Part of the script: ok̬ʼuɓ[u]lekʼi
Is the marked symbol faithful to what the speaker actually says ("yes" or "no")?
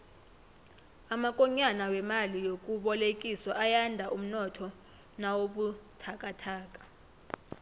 no